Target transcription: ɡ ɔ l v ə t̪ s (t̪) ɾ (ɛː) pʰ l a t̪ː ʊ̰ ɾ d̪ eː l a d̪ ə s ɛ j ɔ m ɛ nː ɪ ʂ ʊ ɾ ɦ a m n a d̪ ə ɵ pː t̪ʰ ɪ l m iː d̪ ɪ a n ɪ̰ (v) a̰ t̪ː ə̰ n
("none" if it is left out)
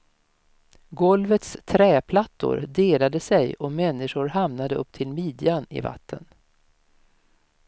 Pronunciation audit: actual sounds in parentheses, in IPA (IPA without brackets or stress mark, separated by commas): t̪ʰ, ɛː, v